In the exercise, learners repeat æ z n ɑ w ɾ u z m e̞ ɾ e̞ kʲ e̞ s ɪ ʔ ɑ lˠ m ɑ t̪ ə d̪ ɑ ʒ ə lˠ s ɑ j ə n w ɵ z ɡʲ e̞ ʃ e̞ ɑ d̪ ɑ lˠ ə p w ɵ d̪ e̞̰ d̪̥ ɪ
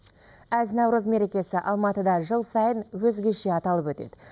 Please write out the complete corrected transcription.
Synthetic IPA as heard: æ z n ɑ w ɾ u z m e̞ ɾ e̞ kʲ e̞ s ɪ ʔ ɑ lˠ m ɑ t̪ ə d̪ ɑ ʒ ə lˠ s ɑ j ə n w ɵ z ɡʲ e̞ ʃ e̞ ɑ t̪ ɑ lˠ ə p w ɵ t̪ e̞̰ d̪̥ ɪ